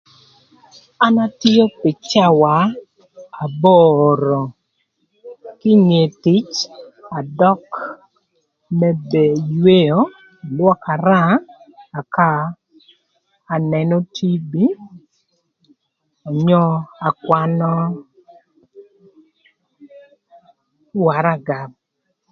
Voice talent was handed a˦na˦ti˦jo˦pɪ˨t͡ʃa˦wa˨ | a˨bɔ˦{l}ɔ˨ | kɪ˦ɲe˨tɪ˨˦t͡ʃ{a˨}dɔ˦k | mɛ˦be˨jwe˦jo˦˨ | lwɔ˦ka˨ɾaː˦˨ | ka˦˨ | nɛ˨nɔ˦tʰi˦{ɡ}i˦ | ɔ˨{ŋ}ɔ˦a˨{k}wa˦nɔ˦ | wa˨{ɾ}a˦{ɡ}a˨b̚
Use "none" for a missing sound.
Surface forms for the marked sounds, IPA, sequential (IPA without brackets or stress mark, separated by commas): ɾ, a˨, b, ɲ, k, ɾ, ɡ